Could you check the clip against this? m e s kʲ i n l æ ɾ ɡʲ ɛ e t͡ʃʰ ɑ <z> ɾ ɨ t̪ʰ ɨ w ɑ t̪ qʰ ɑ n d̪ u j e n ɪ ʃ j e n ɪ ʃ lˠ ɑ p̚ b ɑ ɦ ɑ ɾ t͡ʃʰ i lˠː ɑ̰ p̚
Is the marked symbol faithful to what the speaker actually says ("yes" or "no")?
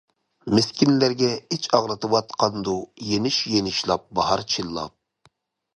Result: no